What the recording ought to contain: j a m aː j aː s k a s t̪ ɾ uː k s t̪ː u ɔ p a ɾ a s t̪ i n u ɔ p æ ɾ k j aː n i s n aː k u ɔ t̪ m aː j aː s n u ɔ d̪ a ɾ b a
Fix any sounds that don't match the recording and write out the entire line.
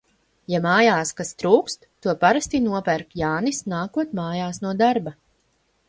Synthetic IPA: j a m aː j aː s k a s t̪ ɾ uː k s t̪ː u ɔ p a ɾ a s t̪ i n u ɔ p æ ɾ k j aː n i s n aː k u ɔ t̪ m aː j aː s n u ɔ d̪ a ɾ b a